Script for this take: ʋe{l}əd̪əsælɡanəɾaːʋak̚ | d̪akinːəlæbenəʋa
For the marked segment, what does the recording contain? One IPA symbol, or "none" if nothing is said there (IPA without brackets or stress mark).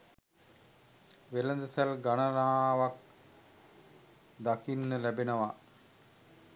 l